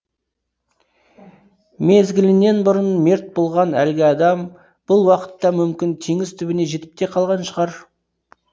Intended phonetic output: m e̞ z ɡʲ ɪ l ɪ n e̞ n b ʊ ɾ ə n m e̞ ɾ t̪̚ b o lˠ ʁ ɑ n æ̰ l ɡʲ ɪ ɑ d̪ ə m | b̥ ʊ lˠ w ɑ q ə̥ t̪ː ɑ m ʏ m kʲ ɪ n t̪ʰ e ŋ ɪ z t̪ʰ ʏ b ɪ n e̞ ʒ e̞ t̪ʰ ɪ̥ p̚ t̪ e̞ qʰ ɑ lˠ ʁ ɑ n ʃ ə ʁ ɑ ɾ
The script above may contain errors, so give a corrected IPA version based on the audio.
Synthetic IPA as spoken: m e̞ z ɡʲ ɪ l ɪ n e̞ n b ʊ ɾ ə n m e̞ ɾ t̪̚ b o lˠ ʁ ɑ n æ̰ l ɡʲ ɪ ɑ d̪ ɑ m | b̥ ʊ lˠ w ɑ q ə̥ t̪ː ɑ m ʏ m kʲ ɪ n t̪ʰ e ŋ ɪ z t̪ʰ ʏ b ɪ n e̞ ʒ e̞ t̪ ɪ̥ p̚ t̪ e̞ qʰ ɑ lˠ ʁ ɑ n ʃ ə ʁ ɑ ɾ